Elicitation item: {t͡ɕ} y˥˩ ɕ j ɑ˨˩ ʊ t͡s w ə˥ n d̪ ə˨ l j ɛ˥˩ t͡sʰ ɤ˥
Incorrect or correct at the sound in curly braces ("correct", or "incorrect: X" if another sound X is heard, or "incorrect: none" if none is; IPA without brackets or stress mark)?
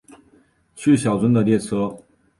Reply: incorrect: t͡ɕʰ